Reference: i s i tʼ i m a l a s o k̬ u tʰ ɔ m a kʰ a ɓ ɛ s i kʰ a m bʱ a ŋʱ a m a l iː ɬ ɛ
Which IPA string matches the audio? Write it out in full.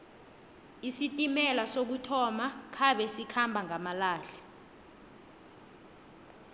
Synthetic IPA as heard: i s i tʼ i m ɛ l a s o k̬ u tʰ ɔ m a kʰ a ɓ ɛ s i kʰ a m bʱ a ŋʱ a m a l aː ɬ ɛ